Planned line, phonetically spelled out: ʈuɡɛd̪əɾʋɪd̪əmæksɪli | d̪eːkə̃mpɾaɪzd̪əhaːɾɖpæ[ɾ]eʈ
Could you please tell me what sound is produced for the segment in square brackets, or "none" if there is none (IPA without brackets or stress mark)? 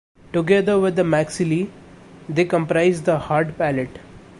l